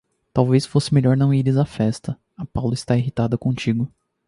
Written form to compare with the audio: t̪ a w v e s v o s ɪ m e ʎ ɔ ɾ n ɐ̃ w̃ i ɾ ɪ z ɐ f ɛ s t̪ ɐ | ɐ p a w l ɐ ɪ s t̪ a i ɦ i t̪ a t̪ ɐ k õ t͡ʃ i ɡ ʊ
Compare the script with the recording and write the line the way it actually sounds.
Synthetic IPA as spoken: t̪ a w v e s f o s ɪ m e ʎ ɔ ɾ n ɐ̃ w̃ i ɾ ɪ z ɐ f ɛ s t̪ ɐ | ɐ p a w l ɐ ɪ s t̪ a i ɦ i t̪ a d̪ ɐ k õ t͡ʃ i ɡ ʊ